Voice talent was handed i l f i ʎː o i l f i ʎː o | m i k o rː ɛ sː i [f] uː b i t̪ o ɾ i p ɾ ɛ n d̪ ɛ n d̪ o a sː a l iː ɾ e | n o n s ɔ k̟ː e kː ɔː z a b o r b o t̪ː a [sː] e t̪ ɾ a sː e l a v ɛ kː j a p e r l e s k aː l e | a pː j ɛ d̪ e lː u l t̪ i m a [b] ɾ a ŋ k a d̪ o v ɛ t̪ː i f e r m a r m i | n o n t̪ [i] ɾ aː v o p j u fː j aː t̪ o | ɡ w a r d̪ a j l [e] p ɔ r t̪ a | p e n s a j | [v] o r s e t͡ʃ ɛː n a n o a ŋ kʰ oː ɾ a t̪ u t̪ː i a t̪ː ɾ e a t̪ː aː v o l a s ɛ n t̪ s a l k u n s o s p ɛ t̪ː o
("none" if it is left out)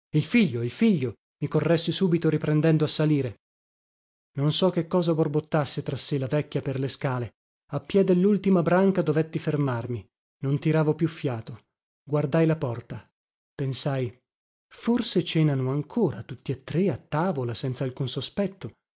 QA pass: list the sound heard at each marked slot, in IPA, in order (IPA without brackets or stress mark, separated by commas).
s, sː, b, i, a, f